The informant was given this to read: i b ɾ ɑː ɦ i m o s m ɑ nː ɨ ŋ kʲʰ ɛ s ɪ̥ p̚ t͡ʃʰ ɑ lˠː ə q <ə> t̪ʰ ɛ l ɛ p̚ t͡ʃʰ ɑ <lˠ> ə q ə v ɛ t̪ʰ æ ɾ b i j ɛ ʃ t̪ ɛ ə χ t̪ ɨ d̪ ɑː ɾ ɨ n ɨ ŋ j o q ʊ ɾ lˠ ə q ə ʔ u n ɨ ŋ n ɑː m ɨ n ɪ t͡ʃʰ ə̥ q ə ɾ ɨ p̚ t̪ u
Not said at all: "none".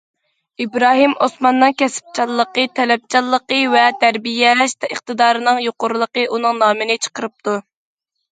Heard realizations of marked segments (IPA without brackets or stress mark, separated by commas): ə, lˠː